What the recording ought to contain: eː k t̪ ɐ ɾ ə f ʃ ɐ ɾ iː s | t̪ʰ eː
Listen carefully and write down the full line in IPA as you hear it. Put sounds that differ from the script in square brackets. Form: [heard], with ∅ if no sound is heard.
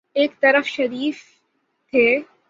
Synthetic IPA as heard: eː k t̪ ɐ ɾ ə f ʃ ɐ ɾ iː [f] | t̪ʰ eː